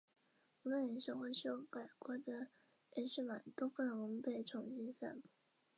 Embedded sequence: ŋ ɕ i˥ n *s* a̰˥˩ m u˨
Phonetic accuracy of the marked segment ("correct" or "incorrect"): correct